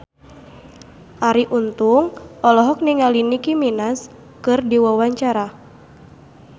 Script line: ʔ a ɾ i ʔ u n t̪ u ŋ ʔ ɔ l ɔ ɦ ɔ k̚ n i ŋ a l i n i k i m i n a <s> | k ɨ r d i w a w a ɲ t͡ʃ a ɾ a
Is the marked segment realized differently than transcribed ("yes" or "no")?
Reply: no